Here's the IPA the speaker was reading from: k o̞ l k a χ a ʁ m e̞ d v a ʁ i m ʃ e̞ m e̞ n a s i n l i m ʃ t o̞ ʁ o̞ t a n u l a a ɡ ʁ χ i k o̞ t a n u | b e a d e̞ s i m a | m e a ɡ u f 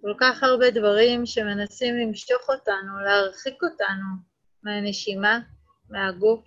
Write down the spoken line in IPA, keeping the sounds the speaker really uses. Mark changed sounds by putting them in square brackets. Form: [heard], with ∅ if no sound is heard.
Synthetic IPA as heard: k o̞ l k a χ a ʁ [b] e̞ d v a ʁ i m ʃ e̞ m e̞ n a s i [m] l i m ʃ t o̞ [χ] o̞ t a n u l [e] a [∅] ʁ χ i k o̞ t a n u | [m] e a [n] e̞ [ʃ] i m a | m e a ɡ u f